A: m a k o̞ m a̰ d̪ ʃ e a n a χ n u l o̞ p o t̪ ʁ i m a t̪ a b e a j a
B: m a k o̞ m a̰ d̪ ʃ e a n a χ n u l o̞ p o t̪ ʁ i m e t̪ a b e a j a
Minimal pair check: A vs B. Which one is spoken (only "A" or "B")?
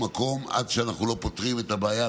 B